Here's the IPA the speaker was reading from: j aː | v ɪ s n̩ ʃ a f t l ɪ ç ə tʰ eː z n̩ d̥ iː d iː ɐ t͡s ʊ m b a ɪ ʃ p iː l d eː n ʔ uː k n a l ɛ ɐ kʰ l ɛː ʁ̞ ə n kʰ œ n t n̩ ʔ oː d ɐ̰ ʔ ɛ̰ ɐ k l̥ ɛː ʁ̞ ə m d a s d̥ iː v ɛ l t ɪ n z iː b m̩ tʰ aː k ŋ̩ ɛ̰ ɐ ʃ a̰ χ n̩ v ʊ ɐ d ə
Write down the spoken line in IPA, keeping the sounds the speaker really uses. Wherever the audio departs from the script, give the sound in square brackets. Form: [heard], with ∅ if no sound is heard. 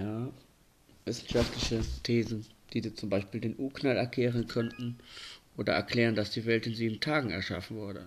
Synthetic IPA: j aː | v ɪ s n̩ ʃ a f t l ɪ ç ə tʰ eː z n̩ d̥ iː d iː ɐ t͡s ʊ m b a ɪ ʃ p iː l d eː n ʔ uː k n a l ɛ ɐ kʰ l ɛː ʁ̞ ə n kʰ œ n t n̩ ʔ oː d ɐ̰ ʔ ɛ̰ ɐ k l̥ ɛː ʁ̞ ə [n] d a s d̥ iː v ɛ l t ɪ n z iː b m̩ tʰ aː [ɡ] ŋ̩ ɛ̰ ɐ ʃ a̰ [f] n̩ v ʊ ɐ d ə